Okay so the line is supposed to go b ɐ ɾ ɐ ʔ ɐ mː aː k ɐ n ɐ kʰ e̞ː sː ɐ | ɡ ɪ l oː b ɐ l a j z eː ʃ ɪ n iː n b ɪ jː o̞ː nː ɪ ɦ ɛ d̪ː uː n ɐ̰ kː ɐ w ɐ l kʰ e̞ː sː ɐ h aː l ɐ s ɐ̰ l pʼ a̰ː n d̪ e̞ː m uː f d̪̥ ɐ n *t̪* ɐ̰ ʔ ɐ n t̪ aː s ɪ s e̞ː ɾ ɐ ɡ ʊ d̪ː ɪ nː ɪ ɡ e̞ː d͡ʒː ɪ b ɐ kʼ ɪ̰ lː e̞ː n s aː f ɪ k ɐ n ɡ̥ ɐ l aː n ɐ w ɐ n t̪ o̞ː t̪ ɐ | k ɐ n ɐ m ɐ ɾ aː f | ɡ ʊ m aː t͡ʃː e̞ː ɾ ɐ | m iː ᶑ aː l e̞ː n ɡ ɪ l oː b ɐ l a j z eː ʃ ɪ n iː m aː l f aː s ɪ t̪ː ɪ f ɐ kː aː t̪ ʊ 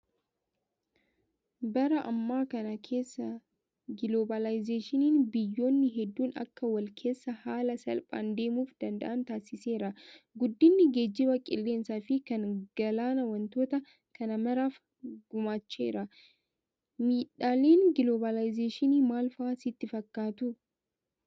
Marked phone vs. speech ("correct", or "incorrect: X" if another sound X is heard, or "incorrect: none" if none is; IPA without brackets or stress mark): incorrect: d̪